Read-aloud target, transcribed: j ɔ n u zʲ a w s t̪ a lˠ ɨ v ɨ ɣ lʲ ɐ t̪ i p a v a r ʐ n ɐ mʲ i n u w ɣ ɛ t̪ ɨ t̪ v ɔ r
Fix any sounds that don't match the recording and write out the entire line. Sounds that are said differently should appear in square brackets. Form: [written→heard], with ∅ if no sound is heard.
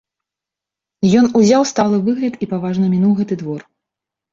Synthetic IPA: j ɔ n u zʲ a w s t̪ a lˠ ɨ v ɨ ɣ lʲ ɐ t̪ i p a v a [r→∅] ʐ n ɐ mʲ i n u w ɣ ɛ t̪ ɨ [t̪→d̪] v ɔ r